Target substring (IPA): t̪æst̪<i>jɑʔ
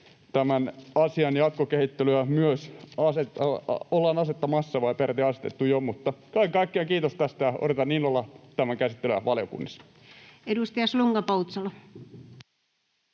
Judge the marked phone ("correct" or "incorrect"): incorrect